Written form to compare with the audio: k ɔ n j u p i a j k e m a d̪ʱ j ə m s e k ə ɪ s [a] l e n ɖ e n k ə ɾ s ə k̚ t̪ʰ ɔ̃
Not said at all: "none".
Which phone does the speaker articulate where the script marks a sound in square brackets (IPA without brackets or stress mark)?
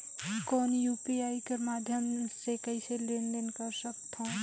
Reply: e